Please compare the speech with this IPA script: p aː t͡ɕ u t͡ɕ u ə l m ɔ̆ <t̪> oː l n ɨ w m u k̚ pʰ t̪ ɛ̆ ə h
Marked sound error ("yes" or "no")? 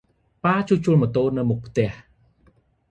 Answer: no